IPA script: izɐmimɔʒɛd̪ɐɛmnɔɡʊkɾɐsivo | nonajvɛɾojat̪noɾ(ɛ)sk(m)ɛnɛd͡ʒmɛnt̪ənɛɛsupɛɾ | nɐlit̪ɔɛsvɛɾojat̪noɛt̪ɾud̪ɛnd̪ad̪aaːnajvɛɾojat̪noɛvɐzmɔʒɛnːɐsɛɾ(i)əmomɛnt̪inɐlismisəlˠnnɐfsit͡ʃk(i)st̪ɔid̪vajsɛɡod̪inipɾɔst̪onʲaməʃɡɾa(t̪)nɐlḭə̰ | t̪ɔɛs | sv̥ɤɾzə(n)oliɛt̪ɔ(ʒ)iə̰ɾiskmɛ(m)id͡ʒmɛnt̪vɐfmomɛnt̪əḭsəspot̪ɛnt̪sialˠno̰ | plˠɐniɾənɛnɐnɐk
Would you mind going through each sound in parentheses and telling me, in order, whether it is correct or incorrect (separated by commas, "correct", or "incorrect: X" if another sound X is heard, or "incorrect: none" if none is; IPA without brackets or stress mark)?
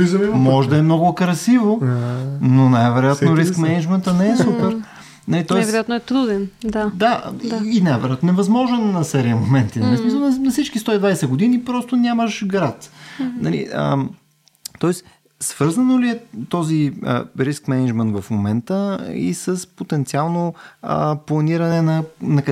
incorrect: i, correct, correct, correct, correct, correct, incorrect: z, incorrect: n